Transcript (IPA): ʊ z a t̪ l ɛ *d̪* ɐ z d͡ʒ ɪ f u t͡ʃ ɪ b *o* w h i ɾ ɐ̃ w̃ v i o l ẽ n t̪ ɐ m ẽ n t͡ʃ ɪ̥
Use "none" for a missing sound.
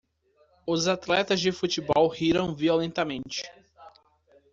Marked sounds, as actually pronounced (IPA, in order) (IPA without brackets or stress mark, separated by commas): t̪, ɔ